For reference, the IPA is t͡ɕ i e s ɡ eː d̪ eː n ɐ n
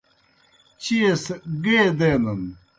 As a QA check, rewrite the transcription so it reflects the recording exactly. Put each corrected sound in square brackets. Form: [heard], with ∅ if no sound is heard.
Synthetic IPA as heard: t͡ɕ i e s ɡ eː d̪ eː n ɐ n